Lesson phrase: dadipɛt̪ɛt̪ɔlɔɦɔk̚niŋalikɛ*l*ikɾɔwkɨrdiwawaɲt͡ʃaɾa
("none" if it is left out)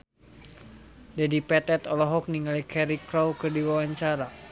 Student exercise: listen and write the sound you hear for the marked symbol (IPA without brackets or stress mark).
ɾ